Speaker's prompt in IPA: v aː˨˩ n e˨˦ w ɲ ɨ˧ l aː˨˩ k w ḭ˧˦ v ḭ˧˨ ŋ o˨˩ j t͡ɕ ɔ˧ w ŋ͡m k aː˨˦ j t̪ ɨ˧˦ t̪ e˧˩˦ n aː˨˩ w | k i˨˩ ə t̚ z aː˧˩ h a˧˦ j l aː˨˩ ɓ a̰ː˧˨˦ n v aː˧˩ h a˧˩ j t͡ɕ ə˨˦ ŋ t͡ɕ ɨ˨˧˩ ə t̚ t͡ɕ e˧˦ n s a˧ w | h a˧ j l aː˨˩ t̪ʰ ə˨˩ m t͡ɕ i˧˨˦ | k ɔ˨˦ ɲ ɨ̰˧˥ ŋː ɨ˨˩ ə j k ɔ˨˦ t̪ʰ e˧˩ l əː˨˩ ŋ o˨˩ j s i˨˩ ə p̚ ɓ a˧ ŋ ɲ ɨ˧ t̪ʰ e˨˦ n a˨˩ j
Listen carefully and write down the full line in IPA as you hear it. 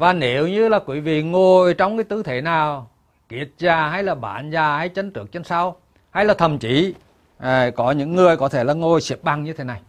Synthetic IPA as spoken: v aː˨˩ n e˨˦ w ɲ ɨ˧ l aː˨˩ k w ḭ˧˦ v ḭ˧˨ ŋ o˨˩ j t͡ɕ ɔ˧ w ŋ͡m k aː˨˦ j t̪ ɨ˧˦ t̪ʰ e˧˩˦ n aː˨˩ w | k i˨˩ ə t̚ z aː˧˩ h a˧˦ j l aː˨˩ ɓ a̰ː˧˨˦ n z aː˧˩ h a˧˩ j t͡ɕ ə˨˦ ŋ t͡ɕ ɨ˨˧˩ ə k̚ t͡ɕ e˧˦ n s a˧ w | h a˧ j l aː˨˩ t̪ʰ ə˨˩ m t͡ɕ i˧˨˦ | k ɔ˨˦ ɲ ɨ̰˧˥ ŋː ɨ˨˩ ə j k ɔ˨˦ t̪ʰ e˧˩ l aː˨˩ ŋ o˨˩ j s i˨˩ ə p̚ ɓ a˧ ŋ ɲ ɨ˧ t̪ʰ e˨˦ n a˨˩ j